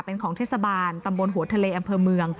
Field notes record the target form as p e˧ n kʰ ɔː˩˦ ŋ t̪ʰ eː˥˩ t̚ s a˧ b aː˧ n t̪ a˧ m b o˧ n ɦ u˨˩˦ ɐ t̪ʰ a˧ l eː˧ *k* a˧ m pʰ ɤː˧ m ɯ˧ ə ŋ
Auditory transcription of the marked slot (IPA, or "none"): ʔ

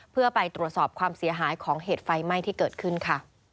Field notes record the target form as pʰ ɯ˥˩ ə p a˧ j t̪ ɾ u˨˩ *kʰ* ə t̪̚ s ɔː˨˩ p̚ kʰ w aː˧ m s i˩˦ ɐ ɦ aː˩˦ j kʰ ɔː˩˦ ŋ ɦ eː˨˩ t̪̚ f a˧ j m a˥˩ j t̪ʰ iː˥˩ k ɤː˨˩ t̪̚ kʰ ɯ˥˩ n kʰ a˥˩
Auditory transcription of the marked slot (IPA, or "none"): none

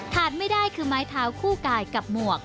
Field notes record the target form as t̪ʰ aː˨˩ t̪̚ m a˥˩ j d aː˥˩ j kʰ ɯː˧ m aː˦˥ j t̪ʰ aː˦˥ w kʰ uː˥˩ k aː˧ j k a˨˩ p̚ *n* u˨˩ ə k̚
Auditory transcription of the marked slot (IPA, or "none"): m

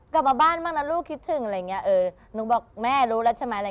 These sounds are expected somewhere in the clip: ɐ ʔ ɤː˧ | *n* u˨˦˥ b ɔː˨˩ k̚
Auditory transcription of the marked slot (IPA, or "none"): n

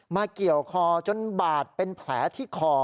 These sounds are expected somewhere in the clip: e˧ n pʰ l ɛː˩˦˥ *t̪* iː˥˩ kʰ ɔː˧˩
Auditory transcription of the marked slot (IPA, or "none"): t̪ʰ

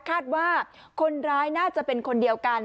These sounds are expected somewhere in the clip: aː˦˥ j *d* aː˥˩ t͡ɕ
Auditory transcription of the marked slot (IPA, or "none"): n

